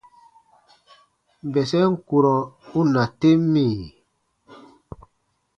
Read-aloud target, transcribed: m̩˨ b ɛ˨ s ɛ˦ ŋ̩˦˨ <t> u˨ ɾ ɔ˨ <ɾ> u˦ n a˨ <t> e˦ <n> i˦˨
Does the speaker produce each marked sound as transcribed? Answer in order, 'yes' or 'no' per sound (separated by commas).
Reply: no, no, yes, no